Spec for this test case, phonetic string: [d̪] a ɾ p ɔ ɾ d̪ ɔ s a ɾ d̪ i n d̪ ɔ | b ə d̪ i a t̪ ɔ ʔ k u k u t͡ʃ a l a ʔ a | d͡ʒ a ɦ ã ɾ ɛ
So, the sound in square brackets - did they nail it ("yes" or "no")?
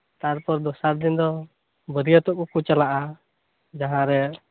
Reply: no